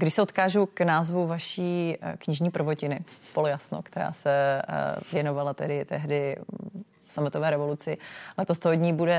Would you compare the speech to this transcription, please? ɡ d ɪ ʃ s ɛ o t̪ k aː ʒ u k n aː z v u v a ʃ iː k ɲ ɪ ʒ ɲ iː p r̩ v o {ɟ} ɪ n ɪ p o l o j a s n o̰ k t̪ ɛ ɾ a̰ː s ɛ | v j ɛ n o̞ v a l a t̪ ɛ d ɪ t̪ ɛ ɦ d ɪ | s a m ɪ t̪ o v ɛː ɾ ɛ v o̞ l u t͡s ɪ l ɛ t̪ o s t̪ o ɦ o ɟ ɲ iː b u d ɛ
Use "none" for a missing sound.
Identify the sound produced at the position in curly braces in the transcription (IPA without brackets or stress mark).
c